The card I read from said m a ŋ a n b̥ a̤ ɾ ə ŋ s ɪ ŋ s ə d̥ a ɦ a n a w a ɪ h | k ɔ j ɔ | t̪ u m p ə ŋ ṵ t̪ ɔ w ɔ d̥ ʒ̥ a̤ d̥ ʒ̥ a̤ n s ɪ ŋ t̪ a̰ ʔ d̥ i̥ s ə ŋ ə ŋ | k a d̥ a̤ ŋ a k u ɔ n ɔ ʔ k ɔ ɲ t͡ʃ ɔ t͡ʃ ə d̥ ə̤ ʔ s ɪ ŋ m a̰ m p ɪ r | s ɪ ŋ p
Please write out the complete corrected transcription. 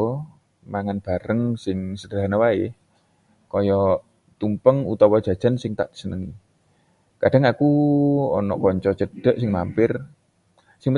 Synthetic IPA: m a ŋ a n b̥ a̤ ɾ ə ŋ s ɪ ŋ s ə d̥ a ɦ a n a w a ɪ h | k ɔ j ɔ | t̪ u m p ə ŋ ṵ t̪ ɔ w ɔ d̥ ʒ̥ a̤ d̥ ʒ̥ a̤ n s ɪ ŋ t̪ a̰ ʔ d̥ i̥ s ə n ə ŋ | k a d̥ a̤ ŋ a k u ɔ n ɔ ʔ k ɔ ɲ t͡ʃ ɔ t͡ʃ ə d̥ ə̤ ʔ s ɪ ŋ m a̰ m p ɪ r | s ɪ ŋ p